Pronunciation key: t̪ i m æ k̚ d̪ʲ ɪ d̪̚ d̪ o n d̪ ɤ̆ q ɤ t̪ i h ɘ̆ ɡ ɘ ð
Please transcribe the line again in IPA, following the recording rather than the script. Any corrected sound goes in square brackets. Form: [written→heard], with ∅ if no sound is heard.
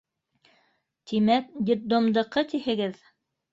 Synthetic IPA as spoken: t̪ i m æ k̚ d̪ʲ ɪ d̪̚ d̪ o [n→m] d̪ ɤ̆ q ɤ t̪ i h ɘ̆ ɡ ɘ ð